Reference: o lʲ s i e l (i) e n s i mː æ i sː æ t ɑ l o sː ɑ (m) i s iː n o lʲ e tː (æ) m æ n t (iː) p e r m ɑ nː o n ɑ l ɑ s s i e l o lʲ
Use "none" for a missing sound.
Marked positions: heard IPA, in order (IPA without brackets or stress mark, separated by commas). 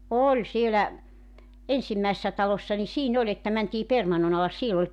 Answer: æ, n, æ, iː